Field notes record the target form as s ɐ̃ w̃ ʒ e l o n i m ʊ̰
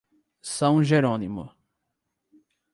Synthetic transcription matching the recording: s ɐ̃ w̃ ʒ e ɾ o n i m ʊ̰